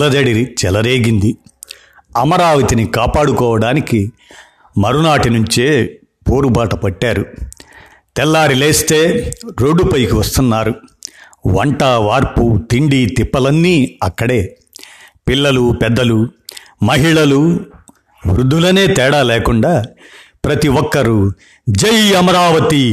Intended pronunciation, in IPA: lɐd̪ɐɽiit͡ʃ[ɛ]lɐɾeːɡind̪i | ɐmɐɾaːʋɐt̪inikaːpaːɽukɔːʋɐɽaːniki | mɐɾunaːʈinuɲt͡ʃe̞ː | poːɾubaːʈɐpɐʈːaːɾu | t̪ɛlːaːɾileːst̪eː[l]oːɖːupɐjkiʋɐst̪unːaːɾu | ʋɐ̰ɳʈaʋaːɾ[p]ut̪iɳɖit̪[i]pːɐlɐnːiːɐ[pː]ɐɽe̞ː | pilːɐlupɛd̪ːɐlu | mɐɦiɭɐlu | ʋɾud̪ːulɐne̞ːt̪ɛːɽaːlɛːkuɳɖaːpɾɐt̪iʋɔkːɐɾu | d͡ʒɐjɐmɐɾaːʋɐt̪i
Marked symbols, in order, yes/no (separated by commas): yes, no, yes, yes, no